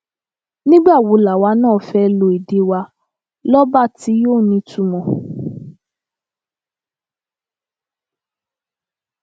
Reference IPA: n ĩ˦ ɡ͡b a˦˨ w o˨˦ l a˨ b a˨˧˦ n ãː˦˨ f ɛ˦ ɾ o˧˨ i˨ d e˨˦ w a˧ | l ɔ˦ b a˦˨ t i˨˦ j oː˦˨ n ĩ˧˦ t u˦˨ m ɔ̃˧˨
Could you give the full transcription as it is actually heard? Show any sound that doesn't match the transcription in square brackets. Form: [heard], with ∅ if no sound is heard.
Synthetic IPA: n ĩ˦ ɡ͡b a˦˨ w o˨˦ l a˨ [w] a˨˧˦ n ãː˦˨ f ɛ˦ [l] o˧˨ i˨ d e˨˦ w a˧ | l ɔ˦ b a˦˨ t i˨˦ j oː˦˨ n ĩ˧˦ t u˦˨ m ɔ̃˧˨